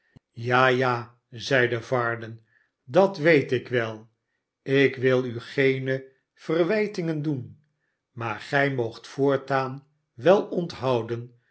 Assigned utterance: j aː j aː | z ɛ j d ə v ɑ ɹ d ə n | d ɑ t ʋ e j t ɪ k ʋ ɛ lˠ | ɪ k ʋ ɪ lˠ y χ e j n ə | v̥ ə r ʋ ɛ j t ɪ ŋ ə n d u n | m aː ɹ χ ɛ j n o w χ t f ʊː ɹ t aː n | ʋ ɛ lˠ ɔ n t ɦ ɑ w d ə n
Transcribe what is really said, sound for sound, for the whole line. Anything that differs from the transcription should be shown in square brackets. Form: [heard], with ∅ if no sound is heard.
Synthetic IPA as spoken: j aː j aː | z ɛ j d ə v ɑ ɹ d ə n | d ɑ t ʋ e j t ɪ k ʋ ɛ lˠ | ɪ k ʋ ɪ lˠ y χ e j n ə | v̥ ə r ʋ ɛ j t ɪ ŋ ə n d u n | m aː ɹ χ ɛ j [m] o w χ t f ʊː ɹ t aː n | ʋ ɛ lˠ ɔ n t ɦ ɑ w d ə n